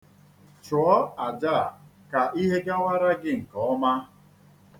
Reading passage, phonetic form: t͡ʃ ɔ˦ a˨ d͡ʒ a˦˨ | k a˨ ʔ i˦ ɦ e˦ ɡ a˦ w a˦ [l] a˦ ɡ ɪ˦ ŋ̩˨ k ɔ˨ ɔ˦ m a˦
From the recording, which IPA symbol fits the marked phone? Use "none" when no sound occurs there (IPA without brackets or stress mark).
ɾ